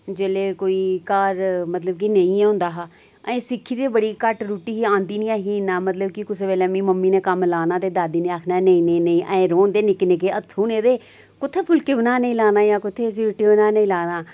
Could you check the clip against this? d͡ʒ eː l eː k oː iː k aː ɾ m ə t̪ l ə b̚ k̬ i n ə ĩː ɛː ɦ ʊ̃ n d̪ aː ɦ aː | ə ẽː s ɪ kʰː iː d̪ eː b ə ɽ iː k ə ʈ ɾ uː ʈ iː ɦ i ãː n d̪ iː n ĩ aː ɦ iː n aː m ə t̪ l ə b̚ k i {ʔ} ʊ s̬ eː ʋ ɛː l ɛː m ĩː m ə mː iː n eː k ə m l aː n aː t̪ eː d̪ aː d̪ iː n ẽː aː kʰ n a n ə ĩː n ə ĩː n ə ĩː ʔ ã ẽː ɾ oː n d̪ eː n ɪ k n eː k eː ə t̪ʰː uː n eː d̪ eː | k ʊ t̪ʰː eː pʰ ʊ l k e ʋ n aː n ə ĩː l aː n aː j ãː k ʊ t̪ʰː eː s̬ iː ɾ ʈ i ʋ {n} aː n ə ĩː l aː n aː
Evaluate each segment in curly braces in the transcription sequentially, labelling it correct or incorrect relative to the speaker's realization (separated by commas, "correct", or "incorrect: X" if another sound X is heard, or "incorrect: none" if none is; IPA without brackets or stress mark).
incorrect: k, correct